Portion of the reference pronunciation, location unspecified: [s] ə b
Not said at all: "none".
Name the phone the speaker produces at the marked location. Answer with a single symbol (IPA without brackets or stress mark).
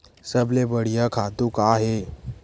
s